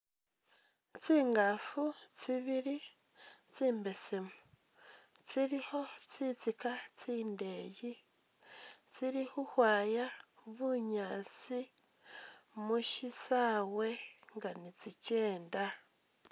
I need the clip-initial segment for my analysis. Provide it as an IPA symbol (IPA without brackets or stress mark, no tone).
t͡s